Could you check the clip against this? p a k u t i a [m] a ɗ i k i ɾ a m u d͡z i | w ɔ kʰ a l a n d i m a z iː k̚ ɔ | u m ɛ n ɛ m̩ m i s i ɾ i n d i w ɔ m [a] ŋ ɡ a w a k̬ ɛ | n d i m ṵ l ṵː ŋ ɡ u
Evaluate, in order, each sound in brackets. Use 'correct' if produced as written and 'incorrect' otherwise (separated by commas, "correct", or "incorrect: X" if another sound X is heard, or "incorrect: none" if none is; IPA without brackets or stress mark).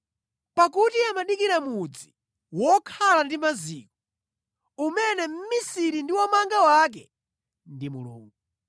correct, correct